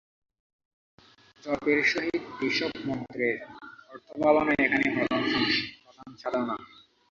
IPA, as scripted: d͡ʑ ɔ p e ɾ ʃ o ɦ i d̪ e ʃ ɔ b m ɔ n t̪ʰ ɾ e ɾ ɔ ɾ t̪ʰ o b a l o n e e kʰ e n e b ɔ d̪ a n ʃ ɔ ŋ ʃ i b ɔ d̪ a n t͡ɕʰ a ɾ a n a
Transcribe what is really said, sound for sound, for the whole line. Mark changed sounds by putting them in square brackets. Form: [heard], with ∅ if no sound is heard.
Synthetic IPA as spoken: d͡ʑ ɔ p e ɾ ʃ o ɦ i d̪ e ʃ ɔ b m ɔ n [t̪] ɾ e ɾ ɔ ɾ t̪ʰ o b a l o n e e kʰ [a] n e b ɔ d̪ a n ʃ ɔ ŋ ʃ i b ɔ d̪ a n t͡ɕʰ a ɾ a n a